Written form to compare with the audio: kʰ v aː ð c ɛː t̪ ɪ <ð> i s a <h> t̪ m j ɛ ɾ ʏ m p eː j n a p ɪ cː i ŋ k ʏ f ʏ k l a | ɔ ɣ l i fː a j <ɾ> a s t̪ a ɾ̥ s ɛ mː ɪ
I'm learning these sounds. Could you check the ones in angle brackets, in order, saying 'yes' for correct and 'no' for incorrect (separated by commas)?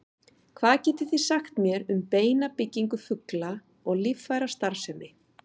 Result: no, no, yes